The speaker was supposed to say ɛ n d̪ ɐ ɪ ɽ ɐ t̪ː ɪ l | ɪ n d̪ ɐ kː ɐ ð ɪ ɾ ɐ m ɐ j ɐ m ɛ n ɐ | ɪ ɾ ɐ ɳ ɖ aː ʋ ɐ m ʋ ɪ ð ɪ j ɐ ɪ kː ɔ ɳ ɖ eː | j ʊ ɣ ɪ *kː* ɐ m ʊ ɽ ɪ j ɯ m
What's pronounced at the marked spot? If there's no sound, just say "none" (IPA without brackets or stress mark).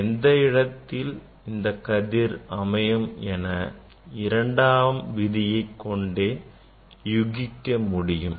kː